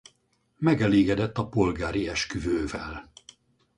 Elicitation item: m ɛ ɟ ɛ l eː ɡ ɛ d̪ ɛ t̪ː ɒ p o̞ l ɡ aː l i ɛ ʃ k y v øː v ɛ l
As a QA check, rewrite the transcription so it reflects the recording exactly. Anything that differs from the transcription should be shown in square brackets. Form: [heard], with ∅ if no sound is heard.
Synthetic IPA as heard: m ɛ [ɡ] ɛ l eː ɡ ɛ d̪ ɛ t̪ː ɒ p o̞ l ɡ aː [ɾ] i ɛ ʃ k y v øː v ɛ l